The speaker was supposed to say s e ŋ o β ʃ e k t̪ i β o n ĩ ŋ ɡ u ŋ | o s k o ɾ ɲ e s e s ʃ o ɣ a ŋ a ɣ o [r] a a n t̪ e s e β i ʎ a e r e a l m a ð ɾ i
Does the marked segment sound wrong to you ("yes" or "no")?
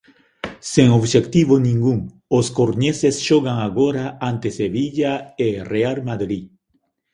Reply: yes